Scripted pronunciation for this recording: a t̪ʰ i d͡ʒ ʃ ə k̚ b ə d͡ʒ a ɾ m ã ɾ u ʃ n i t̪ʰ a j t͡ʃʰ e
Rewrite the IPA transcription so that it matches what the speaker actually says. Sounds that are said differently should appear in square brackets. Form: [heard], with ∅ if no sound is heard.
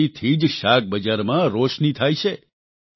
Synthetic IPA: [i] t̪ʰ i d͡ʒ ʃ [a] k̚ b ə d͡ʒ a ɾ m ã ɾ [o] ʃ n i t̪ʰ a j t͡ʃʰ e